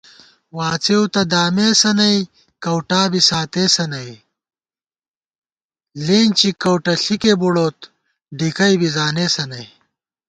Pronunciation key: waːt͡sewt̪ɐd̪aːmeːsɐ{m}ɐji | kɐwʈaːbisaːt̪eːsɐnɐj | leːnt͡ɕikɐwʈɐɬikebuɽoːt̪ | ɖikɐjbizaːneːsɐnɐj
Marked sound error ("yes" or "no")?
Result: yes